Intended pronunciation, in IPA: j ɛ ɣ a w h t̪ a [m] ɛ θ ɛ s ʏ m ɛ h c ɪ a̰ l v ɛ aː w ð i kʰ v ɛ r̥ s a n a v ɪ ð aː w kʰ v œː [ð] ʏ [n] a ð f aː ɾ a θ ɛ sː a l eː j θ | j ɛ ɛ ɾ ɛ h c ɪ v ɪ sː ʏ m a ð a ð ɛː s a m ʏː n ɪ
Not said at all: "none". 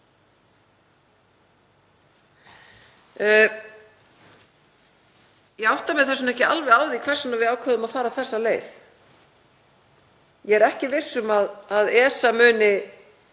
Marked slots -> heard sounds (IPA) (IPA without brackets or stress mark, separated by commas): m, ð, m